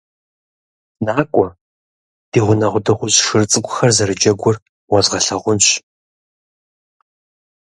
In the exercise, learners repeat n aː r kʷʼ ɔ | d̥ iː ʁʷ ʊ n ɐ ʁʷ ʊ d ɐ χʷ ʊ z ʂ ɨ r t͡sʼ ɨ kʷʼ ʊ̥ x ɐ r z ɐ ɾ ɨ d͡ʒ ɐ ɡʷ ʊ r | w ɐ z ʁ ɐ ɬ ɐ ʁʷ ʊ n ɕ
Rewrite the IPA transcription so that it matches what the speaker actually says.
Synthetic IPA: n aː kʷʼ ɔ | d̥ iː ʁʷ ʊ n ɐ ʁʷ ʊ d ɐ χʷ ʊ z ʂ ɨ r t͡sʼ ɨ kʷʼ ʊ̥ x ɐ r z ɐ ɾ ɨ d͡ʒ ɐ ɡʷ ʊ r | w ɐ z ʁ ɐ ɬ ɐ ʁʷ ʊ n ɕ